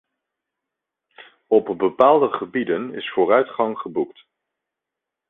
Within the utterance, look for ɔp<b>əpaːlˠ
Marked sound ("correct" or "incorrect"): correct